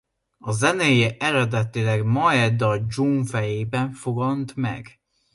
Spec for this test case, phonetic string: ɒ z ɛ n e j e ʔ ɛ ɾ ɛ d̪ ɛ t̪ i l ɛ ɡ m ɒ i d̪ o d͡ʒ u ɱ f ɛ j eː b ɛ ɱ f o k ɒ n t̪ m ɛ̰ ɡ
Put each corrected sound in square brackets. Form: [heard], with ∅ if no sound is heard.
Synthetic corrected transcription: ɒ z ɛ n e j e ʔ ɛ ɾ ɛ d̪ ɛ t̪ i l ɛ ɡ m ɒ [ɛ] d̪ [ɒ] d͡ʒ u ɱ f ɛ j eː b ɛ ɱ f o [ɡ] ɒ n t̪ m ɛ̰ ɡ